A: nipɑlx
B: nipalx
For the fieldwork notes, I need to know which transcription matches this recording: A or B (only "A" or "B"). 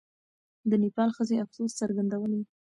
A